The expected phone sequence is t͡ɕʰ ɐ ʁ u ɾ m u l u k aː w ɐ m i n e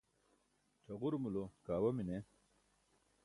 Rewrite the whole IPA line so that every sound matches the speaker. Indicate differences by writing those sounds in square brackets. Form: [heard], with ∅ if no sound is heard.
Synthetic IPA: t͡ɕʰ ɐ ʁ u ɾ m u l [o] k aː w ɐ m i n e